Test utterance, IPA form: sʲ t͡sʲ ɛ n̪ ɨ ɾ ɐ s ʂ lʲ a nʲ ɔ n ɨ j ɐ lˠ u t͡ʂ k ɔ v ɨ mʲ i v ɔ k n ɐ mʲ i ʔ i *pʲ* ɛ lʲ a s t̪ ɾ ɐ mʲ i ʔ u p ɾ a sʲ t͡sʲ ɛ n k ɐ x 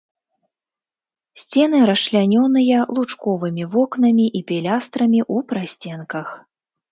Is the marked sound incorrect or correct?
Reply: correct